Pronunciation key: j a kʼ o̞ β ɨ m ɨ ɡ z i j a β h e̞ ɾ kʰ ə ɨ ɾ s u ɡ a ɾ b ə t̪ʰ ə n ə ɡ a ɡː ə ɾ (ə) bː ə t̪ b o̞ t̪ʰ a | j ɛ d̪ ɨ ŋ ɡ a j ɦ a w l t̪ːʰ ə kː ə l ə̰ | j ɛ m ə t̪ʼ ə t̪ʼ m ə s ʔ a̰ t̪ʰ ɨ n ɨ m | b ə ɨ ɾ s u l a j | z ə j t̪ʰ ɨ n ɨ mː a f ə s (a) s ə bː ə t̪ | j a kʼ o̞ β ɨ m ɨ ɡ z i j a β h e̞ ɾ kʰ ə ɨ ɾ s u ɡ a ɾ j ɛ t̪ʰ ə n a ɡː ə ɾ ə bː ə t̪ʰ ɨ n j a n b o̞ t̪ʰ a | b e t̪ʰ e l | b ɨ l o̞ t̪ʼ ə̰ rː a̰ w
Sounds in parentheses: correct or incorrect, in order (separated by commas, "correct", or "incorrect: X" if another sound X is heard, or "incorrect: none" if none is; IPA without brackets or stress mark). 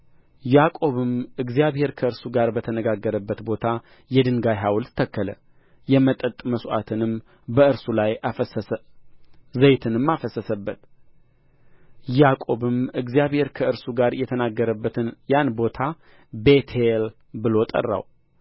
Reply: correct, incorrect: ə